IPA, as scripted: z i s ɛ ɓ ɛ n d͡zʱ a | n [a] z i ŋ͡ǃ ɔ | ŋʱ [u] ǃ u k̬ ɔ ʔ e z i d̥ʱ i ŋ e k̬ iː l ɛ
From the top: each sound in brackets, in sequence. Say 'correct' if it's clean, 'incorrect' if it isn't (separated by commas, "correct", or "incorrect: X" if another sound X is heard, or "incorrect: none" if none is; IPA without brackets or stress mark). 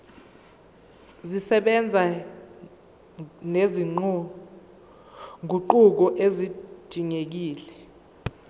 incorrect: e, correct